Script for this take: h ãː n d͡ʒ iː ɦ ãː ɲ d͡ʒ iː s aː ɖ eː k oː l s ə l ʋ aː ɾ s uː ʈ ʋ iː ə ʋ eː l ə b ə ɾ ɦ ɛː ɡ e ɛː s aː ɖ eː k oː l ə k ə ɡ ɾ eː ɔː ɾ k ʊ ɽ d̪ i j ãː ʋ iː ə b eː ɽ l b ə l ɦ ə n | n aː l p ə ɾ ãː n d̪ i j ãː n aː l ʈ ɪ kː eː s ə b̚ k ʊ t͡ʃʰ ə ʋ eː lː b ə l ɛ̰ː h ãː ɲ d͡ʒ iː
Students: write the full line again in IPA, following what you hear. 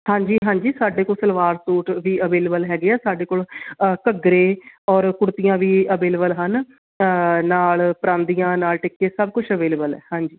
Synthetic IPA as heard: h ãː ɲ d͡ʒ iː ɦ ãː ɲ d͡ʒ iː s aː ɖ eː k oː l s ə l ʋ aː ɾ s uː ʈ ʋ iː ə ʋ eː l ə b ə l ɦ ɛː ɡ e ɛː s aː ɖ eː k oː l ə k ə ɡ ɾ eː ɔː ɾ k ʊ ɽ t̪ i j ãː ʋ iː ə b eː l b ə l ɦ ə n | n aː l p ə ɾ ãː n d̪ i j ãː n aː l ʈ ɪ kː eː s ə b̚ k ʊ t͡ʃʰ ə ʋ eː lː b ə l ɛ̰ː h ãː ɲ d͡ʒ iː